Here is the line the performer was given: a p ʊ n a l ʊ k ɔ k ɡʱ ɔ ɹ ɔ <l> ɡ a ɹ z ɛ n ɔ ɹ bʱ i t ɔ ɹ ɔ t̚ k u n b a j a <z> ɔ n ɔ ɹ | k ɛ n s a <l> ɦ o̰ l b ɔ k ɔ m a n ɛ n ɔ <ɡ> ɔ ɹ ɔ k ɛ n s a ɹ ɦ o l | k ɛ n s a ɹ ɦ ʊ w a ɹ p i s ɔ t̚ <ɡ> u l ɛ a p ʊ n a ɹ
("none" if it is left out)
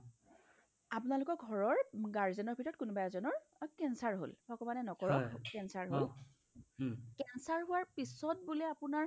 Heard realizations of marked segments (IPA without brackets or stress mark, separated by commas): ɹ, z, ɹ, k, b